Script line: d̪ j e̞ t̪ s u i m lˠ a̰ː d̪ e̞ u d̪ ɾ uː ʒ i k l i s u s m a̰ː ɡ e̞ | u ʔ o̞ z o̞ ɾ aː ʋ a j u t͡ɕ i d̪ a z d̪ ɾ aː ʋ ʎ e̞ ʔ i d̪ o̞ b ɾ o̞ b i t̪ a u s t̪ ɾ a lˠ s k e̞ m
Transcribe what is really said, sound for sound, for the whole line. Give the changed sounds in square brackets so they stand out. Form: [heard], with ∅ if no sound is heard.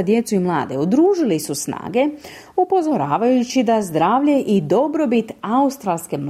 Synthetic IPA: d̪ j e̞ t̪ s u i m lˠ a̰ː d̪ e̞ u d̪ ɾ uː ʒ i [∅] l i s u s [n] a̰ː ɡ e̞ | u [p] o̞ z o̞ ɾ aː ʋ a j u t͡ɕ i d̪ a z d̪ ɾ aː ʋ ʎ e̞ ʔ i d̪ o̞ b ɾ o̞ b i t̪ a u s t̪ ɾ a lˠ s k e̞ m